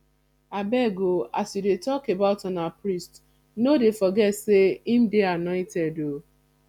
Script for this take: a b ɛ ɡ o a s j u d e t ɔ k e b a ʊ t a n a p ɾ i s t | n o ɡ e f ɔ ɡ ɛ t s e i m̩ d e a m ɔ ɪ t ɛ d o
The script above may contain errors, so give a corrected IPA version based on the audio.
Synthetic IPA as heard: a b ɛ ɡ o a s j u d e t ɔ k e b a ʊ t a n a p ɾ i s t | n o d e f ɔ ɡ ɛ t s e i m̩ d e a n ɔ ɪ t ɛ d o